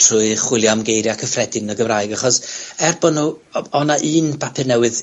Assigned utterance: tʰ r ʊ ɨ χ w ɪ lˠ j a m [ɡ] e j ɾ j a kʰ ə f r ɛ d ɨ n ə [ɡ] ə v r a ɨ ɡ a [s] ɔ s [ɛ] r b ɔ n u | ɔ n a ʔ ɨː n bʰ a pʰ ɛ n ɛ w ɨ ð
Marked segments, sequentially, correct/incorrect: correct, correct, incorrect, correct

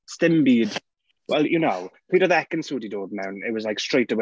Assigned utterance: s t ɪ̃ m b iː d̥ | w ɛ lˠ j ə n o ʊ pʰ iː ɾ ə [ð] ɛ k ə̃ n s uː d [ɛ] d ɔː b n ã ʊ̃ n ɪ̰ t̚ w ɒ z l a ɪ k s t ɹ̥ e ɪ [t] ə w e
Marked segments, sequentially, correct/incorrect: correct, incorrect, correct

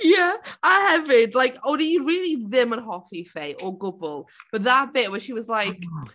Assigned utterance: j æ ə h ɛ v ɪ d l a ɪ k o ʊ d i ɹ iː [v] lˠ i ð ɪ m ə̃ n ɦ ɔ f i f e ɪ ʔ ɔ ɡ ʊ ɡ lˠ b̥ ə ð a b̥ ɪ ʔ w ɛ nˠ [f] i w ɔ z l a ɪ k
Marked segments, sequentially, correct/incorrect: incorrect, incorrect

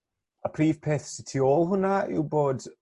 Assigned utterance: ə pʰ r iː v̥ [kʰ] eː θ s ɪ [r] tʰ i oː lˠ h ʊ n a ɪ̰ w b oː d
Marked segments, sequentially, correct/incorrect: incorrect, incorrect

